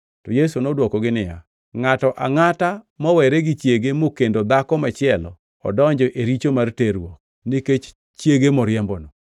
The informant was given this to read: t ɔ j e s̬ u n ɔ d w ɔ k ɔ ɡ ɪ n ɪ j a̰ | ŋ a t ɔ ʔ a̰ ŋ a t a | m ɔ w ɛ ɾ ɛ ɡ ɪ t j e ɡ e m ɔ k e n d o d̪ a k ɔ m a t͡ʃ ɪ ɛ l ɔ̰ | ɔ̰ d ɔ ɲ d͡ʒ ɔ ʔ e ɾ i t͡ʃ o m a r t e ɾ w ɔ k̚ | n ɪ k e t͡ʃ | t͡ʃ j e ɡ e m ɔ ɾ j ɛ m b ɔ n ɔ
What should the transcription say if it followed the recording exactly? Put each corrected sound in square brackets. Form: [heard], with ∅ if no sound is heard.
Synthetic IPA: t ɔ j e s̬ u n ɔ d w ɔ k ɔ ɡ ɪ n ɪ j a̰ | ŋ a t ɔ ʔ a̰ ŋ a t a | m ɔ w ɛ ɾ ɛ ɡ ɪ [t͡ʃ] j e ɡ e m [o] k e n d o d̪ a k ɔ m a t͡ʃ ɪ ɛ l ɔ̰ | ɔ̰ d ɔ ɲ d͡ʒ ɔ ʔ e ɾ i t͡ʃ o m a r t e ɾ w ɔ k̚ | n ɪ k e t͡ʃ | t͡ʃ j e ɡ e m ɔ ɾ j ɛ m b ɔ n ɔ